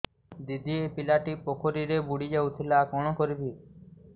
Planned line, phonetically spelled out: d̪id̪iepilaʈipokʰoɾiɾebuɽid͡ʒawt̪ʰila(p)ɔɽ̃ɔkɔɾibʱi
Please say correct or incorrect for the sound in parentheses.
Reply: incorrect: k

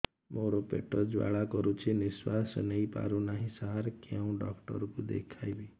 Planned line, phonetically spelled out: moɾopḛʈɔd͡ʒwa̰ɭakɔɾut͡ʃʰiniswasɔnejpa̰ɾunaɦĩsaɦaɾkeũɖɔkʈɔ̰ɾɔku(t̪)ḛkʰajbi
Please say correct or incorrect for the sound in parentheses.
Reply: incorrect: d̪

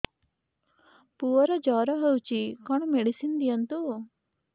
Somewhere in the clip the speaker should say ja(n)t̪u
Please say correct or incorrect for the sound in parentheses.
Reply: correct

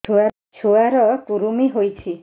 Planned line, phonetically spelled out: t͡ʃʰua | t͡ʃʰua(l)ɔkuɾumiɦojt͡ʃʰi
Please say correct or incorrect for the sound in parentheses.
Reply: incorrect: ɾ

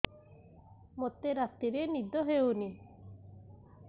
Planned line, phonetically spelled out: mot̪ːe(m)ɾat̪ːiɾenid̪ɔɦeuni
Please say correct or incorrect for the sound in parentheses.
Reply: incorrect: none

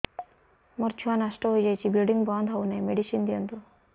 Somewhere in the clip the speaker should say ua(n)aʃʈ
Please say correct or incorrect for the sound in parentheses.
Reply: correct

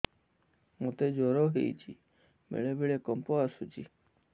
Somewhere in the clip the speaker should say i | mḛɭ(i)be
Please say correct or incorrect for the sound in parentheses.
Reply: incorrect: e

